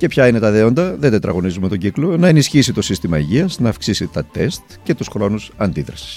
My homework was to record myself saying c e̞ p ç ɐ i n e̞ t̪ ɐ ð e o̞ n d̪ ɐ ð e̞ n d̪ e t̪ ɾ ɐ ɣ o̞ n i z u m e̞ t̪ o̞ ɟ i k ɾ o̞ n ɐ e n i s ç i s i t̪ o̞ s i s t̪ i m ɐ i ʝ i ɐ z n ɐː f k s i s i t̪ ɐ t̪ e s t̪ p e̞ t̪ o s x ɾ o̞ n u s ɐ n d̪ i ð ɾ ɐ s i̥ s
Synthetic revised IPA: c e̞ p ç ɐ i n e̞ t̪ ɐ ð e o̞ n d̪ ɐ ð e̞ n d̪ e t̪ ɾ ɐ ɣ o̞ n i z u m e̞ t̪ o̞ ɟ i k l o̞ n ɐ e n i s ç i s i t̪ o̞ s i s t̪ i m ɐ i ʝ i ɐ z n ɐː f k s i s i t̪ ɐ t̪ e s t̪ c e̞ t̪ u s x ɾ o̞ n u s ɐ n d̪ i ð ɾ ɐ s i̥ s